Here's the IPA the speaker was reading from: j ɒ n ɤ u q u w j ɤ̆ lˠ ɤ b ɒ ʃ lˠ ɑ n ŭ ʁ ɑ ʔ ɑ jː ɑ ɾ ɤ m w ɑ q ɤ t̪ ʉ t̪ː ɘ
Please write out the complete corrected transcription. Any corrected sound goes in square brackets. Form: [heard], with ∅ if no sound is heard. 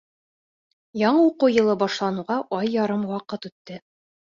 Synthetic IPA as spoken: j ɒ [ɴ] ɤ u q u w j ɤ̆ lˠ ɤ b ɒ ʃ lˠ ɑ n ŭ ʁ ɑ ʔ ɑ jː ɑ ɾ ɤ m w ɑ q ɤ t̪ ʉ t̪ː ɘ